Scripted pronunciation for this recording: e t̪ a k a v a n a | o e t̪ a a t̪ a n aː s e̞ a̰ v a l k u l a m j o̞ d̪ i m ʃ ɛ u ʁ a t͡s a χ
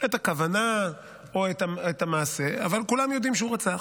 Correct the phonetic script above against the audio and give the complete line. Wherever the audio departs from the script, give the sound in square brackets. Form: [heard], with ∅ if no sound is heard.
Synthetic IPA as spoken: e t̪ a k a v a n a | o e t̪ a [e] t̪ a [m] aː s e̞ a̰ v a l k u l a m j o̞ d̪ i m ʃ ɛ u ʁ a t͡s a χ